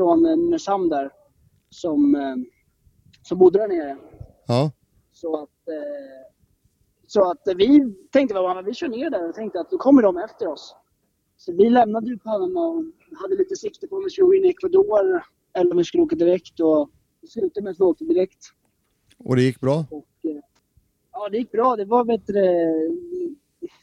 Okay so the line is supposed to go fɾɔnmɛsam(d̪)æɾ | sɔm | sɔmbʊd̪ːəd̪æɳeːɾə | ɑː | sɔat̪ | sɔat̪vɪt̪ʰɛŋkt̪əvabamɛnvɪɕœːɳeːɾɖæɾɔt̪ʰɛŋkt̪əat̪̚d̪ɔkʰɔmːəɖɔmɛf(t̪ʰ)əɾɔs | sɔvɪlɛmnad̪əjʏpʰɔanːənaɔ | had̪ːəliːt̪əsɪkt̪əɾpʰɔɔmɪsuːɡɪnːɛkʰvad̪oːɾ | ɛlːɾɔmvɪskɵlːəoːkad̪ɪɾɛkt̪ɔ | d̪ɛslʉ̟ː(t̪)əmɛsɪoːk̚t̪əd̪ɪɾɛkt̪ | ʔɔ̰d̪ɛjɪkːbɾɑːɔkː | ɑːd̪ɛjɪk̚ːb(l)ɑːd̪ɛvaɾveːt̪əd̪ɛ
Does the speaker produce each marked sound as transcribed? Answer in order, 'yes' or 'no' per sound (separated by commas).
yes, no, yes, no